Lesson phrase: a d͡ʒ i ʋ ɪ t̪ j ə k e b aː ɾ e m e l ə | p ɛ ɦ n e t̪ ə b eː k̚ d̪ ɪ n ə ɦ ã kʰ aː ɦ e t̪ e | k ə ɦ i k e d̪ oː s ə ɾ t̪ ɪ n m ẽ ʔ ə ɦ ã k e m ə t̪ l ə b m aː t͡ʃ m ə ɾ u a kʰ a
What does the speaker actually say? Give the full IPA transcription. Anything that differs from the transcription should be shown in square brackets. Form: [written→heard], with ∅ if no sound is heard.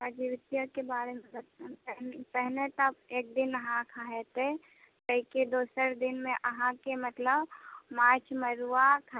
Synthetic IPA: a d͡ʒ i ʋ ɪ t̪ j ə k e b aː ɾ e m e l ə | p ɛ ɦ n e t̪ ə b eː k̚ d̪ ɪ n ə ɦ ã kʰ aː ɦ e t̪ e | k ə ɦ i k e d̪ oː s ə ɾ [t̪→d̪] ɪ n m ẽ ʔ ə ɦ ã k e m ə t̪ l ə b m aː t͡ʃ m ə ɾ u a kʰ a